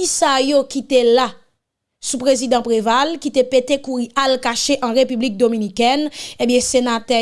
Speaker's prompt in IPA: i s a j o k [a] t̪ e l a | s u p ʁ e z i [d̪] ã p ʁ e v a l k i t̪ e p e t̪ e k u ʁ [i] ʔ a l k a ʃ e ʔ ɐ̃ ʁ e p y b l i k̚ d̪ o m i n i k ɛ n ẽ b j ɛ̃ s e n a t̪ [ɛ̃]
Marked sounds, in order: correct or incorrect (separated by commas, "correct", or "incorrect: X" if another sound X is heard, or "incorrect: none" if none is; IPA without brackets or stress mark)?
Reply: incorrect: i, correct, correct, incorrect: ɛ